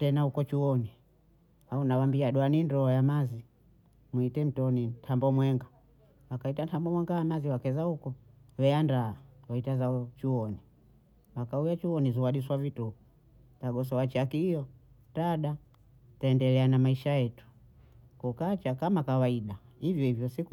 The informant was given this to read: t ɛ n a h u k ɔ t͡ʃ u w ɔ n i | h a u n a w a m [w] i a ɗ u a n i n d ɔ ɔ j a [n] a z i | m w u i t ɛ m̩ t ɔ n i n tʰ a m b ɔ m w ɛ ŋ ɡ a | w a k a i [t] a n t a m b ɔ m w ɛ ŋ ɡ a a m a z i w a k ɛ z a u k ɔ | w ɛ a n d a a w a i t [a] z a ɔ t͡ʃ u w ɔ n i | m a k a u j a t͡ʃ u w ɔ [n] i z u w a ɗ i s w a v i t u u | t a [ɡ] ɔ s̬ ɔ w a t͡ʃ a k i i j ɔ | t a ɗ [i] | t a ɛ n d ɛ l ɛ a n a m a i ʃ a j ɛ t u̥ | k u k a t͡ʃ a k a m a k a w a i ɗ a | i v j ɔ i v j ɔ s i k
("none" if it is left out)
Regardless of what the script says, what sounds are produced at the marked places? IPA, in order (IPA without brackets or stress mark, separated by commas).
b, m, t, a, n, ɡ, a